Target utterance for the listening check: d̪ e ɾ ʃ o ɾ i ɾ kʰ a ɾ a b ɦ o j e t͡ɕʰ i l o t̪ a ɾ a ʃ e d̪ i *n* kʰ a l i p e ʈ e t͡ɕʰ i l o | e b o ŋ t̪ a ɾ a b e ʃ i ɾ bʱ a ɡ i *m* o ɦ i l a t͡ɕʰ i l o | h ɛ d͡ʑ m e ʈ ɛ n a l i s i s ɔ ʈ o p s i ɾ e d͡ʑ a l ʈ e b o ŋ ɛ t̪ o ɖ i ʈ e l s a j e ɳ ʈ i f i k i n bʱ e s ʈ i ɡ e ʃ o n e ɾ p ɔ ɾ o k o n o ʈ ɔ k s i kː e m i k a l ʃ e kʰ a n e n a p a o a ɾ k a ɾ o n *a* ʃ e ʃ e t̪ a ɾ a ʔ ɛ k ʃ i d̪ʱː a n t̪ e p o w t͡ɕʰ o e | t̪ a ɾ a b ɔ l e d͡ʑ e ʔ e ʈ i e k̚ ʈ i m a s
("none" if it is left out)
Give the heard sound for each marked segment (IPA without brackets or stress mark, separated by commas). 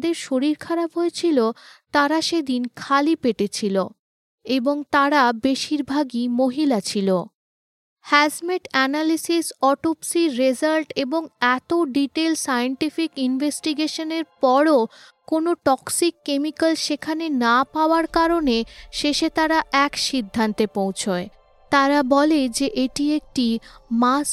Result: n, m, e